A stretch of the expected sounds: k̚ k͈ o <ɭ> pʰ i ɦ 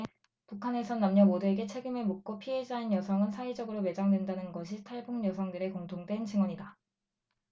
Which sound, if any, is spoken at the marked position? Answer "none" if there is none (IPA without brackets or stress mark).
none